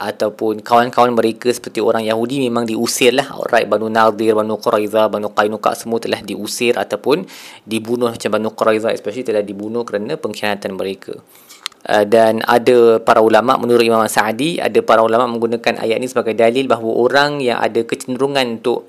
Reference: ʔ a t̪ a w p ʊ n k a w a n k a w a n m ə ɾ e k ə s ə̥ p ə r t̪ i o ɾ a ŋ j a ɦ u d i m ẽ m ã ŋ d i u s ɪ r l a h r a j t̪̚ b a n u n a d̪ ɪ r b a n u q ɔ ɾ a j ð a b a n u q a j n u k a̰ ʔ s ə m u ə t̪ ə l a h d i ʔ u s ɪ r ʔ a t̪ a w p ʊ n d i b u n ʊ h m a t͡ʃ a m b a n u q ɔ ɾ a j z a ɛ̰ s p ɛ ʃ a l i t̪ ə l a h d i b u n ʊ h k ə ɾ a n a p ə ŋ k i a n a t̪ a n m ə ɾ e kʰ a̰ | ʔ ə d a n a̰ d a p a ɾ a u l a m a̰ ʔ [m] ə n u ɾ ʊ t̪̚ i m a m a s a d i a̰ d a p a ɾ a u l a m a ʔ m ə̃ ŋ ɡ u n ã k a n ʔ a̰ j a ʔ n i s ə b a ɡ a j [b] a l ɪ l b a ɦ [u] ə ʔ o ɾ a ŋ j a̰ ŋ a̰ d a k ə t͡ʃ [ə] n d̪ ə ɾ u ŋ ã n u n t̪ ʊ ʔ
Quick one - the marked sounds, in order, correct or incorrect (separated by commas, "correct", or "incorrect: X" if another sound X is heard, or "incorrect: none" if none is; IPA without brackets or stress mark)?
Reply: correct, incorrect: d, incorrect: w, correct